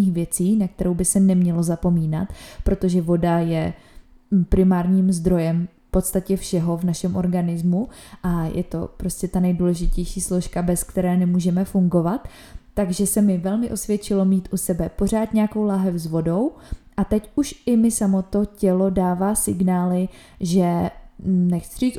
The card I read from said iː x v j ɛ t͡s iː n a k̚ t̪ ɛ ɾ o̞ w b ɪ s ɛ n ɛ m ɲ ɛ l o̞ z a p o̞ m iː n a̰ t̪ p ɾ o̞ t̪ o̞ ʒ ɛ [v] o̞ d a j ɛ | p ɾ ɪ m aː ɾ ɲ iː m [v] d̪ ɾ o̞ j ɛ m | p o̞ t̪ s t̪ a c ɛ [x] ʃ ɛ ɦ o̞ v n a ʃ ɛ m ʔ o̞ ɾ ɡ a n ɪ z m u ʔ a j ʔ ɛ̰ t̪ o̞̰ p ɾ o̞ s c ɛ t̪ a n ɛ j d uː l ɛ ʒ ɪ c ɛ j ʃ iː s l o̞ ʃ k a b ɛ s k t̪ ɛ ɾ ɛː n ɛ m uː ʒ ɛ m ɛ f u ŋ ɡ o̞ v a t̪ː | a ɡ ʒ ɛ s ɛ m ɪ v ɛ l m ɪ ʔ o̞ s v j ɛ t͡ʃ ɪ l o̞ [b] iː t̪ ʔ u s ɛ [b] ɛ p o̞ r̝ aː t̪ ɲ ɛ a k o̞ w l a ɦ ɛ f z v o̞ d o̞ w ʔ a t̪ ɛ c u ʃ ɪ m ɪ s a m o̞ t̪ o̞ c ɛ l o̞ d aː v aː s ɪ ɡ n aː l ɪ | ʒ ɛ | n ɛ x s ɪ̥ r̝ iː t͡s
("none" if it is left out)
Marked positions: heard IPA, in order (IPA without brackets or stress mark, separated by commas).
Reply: v, z, f, m, b